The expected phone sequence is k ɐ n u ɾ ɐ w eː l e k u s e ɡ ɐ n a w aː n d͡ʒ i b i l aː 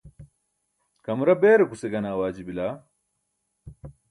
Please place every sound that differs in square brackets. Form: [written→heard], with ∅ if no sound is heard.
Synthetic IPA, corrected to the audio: k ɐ [n→m] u ɾ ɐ [w→b] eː [l→ɾ] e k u s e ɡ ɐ n a w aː [n→∅] d͡ʒ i b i l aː